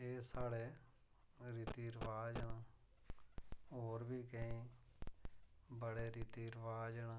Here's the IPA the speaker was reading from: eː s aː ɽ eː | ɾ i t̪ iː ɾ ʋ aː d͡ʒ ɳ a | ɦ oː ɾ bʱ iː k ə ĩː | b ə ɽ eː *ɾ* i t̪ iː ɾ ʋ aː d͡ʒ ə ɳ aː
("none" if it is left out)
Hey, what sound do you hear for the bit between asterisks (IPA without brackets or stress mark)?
ɾ